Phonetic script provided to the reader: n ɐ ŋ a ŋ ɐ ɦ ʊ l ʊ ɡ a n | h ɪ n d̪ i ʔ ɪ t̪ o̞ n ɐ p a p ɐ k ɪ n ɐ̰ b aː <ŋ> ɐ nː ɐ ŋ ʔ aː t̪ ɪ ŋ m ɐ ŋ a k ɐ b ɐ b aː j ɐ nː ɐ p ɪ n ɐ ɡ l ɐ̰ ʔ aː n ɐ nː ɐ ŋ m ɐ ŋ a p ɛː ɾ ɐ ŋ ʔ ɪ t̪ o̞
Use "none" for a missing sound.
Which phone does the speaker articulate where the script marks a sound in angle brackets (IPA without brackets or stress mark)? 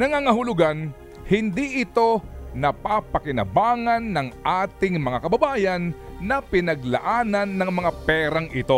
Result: ŋ